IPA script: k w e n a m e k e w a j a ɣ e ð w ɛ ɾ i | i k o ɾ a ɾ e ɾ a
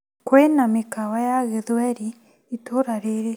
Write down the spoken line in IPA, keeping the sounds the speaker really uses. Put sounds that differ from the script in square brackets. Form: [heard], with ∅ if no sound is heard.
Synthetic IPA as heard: k w e n a m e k [a] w a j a ɣ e ð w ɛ ɾ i | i [t] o ɾ a ɾ e ɾ [e]